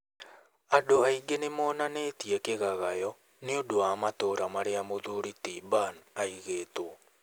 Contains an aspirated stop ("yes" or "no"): no